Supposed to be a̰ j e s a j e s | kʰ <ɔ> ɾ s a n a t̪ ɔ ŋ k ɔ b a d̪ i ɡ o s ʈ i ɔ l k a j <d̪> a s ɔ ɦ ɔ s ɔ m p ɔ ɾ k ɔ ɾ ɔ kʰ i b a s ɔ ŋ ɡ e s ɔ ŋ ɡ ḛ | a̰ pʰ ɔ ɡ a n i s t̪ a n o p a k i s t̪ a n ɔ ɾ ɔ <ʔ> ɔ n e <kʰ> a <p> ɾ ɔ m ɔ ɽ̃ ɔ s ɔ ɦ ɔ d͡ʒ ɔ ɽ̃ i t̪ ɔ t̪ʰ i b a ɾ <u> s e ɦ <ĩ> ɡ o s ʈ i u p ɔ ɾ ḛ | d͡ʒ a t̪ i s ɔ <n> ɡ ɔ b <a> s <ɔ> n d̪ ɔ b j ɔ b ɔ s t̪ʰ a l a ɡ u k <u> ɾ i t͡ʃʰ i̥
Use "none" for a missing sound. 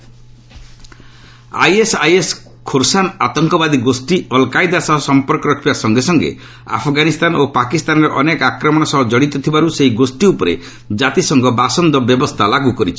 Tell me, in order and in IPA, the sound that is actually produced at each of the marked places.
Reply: o, d̪, ʔ, k, k, u, i, ŋ, a, ɔ, ɔ

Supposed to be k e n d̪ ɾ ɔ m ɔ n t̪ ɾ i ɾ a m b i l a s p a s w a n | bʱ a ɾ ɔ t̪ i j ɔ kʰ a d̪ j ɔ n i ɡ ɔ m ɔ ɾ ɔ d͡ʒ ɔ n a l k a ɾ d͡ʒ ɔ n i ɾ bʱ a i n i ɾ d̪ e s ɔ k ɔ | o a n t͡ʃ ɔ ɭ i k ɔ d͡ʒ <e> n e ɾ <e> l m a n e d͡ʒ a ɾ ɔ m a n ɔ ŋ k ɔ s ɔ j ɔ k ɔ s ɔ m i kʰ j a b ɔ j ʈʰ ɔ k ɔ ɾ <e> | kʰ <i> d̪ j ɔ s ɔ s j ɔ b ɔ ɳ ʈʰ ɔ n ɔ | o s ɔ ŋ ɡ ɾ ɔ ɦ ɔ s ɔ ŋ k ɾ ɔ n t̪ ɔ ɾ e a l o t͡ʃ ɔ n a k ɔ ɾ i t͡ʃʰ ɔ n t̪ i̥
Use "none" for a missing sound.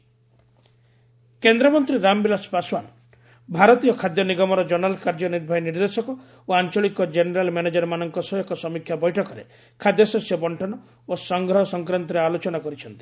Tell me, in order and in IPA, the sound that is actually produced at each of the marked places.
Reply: e, a, e, a

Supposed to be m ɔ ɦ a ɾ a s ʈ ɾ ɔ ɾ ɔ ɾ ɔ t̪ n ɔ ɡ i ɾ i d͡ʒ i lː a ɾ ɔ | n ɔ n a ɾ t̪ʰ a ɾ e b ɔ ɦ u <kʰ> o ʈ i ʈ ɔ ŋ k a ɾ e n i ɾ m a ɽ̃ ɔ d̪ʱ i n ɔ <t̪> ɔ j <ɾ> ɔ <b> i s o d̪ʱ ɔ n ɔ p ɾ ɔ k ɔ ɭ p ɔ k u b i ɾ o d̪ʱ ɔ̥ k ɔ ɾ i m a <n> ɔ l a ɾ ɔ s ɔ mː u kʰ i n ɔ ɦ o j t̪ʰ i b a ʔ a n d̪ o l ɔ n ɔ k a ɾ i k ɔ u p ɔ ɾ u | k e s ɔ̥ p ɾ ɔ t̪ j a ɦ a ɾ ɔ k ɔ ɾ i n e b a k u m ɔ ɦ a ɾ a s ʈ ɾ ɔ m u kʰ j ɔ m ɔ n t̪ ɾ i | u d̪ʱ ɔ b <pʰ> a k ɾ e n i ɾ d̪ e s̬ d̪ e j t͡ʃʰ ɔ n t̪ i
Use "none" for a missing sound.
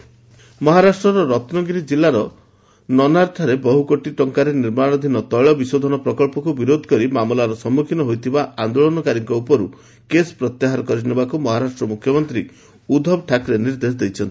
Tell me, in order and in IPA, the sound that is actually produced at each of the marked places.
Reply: k, t̪, ɭ, b, m, ʈʰ

